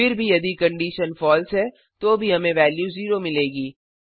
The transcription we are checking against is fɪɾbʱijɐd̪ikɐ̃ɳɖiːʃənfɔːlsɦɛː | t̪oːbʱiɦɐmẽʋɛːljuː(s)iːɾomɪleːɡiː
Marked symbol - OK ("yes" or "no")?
no